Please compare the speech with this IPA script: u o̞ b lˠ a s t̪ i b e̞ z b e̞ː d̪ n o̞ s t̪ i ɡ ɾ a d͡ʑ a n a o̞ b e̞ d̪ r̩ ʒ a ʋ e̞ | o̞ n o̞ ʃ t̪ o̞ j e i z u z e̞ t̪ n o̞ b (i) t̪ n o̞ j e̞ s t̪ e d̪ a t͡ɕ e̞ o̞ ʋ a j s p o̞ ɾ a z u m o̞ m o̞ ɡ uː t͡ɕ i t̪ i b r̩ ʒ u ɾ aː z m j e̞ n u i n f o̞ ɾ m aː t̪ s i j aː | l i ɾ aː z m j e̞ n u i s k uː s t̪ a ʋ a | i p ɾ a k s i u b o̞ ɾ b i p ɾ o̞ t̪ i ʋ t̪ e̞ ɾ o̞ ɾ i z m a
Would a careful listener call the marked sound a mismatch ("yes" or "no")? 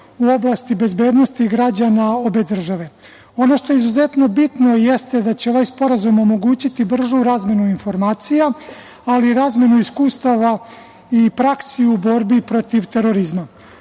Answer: no